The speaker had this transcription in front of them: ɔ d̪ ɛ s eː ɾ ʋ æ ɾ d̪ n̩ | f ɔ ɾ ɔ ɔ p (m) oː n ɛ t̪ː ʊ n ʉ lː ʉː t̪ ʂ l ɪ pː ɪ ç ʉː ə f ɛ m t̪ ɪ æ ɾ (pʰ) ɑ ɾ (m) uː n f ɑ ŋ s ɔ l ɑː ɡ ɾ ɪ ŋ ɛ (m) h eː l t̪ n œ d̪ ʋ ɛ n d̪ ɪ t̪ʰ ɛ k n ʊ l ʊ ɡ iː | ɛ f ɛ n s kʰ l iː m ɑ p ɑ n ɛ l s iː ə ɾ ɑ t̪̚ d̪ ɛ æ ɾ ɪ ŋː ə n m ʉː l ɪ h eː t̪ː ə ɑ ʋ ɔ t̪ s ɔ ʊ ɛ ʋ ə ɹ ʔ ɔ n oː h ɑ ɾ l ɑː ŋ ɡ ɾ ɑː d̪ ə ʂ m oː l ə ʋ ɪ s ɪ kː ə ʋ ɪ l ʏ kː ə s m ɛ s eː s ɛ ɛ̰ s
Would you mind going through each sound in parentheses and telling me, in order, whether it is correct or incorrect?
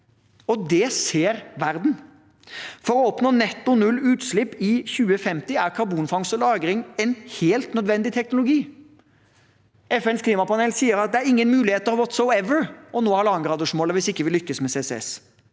incorrect: n, incorrect: kʰ, incorrect: b, incorrect: n

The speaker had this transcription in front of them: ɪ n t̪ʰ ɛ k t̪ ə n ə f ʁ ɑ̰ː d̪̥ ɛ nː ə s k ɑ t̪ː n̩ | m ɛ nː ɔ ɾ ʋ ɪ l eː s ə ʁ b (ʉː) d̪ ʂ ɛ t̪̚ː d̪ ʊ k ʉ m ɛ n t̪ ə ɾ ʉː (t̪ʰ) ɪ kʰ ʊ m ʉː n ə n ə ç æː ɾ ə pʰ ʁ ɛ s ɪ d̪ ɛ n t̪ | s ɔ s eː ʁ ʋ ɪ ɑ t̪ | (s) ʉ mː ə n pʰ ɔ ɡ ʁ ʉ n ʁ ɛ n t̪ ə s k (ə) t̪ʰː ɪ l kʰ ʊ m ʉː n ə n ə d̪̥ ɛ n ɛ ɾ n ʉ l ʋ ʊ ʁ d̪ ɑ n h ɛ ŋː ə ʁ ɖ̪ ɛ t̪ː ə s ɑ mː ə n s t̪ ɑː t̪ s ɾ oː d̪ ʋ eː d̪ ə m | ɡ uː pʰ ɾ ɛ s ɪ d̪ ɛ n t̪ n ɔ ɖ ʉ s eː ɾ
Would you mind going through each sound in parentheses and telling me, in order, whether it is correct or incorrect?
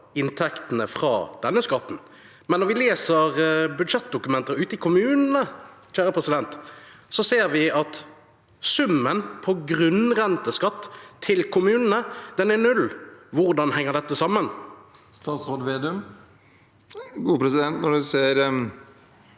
incorrect: ʉ, incorrect: t̪, correct, incorrect: ɑ

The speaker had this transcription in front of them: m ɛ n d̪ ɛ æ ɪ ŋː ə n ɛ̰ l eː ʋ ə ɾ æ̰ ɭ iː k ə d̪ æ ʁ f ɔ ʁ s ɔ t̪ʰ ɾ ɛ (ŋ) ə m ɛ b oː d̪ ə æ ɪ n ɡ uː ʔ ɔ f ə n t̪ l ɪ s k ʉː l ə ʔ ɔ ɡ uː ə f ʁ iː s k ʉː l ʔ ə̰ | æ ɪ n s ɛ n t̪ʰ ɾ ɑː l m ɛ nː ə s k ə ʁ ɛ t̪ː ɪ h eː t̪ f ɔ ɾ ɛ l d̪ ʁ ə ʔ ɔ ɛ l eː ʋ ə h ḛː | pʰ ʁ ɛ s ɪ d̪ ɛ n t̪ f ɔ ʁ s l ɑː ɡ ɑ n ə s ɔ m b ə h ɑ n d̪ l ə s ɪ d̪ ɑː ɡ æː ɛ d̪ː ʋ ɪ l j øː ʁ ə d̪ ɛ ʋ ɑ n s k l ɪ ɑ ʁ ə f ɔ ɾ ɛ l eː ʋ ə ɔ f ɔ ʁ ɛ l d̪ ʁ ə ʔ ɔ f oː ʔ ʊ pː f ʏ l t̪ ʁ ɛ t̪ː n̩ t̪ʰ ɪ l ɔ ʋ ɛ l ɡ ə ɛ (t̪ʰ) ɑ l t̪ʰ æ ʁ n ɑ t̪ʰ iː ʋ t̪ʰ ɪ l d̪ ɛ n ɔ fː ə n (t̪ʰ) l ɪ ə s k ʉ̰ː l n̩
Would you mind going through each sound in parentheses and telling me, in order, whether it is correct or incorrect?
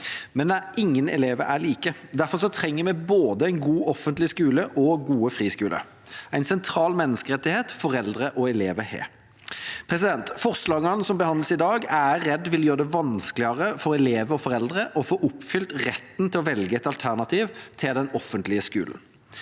incorrect: ŋː, incorrect: t̪, incorrect: t̪

